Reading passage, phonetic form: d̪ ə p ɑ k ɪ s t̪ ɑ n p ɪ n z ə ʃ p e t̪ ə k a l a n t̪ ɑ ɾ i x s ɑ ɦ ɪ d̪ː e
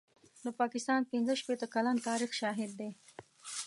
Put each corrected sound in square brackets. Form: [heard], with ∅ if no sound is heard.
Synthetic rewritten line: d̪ ə p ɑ k ɪ s t̪ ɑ n p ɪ n z ə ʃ p e t̪ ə k a l a n t̪ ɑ ɾ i x [ʃ] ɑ ɦ ɪ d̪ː e